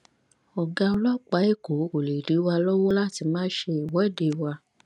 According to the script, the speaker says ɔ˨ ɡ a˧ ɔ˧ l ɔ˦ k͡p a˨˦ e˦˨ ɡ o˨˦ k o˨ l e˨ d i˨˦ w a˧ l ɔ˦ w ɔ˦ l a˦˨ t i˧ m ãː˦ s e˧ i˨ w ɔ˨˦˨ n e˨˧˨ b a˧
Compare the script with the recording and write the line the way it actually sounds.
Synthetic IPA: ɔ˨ ɡ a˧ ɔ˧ l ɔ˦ k͡p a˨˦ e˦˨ k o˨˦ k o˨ l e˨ d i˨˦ w a˧ l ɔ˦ w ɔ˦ l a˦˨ t i˧ m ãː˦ ʃ e˧ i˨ w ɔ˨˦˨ d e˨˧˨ w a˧